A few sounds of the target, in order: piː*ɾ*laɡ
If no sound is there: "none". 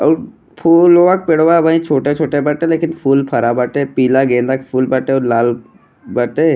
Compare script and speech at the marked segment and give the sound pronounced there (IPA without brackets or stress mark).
none